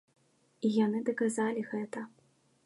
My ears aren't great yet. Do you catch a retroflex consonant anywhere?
no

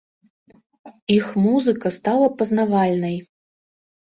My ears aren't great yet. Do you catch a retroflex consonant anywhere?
no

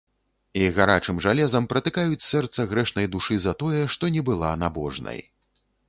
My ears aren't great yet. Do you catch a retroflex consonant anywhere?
yes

